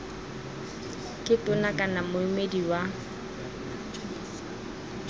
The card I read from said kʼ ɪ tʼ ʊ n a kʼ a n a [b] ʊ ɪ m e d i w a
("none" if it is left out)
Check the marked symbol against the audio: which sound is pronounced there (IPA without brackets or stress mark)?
m